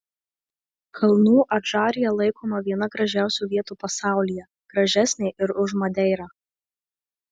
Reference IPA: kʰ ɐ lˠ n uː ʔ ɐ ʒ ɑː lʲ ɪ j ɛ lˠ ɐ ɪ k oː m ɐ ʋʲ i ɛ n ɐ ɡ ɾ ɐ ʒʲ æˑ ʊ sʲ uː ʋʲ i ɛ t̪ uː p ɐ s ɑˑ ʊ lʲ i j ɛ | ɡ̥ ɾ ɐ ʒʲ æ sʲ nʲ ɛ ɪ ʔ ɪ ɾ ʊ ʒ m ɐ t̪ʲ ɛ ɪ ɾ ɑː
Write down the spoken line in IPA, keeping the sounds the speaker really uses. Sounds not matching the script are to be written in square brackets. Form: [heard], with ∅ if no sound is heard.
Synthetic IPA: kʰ ɐ lˠ n uː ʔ ɐ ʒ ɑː [ɾʲ] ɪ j ɛ lˠ ɐ ɪ k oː m ɐ ʋʲ i ɛ n ɐ ɡ ɾ ɐ ʒʲ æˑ ʊ sʲ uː ʋʲ i ɛ t̪ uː p ɐ s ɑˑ ʊ lʲ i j ɛ | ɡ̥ ɾ ɐ ʒʲ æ sʲ nʲ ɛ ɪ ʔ ɪ ɾ ʊ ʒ m ɐ [d̪ʲ] ɛ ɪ ɾ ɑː